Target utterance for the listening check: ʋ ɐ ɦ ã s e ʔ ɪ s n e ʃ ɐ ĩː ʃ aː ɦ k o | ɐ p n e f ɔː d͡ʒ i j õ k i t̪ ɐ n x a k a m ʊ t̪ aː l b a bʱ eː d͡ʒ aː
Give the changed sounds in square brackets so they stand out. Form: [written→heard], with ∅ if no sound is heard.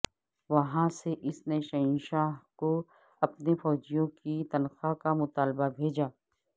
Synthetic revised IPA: ʋ ɐ ɦ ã s e ʔ ɪ s n e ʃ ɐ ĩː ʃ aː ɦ k o | ɐ p n e f ɔː d͡ʒ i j õ k i t̪ ɐ n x a k a m ʊ t̪ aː l b a bʱ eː d͡ʒ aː